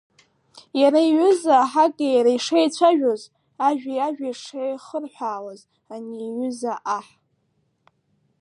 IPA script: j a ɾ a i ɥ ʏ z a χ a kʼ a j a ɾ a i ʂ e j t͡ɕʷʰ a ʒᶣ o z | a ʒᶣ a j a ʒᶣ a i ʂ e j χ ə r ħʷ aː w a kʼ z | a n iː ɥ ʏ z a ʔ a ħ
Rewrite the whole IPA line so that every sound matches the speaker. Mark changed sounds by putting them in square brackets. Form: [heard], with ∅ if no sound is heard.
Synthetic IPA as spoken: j a ɾ a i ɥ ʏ z a [ħ] a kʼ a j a ɾ a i ʂ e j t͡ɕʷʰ a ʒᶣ o z | a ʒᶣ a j a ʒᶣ a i ʂ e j χ ə r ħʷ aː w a [∅] z | a n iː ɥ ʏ z a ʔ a ħ